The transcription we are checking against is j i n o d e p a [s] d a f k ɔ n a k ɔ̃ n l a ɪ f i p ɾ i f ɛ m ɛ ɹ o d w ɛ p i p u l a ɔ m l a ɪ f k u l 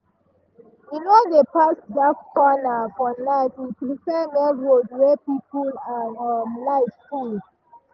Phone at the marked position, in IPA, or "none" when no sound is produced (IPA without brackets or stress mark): s